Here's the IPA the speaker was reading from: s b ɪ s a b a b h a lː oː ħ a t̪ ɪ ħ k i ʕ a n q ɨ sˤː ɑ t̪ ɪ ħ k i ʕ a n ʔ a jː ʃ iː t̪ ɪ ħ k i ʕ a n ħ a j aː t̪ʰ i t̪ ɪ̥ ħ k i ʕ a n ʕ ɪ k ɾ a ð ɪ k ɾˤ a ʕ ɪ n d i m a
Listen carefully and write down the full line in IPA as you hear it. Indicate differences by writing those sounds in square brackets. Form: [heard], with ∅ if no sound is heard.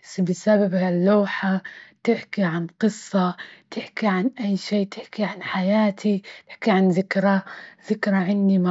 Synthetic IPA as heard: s b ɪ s a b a b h a lː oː ħ a t̪ ɪ ħ k i ʕ a n q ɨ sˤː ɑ t̪ ɪ ħ k i ʕ a n ʔ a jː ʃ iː t̪ ɪ ħ k i ʕ a n ħ a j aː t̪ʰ i t̪ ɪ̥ ħ k i ʕ a n [ð] ɪ k ɾ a ð ɪ k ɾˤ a ʕ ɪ n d i m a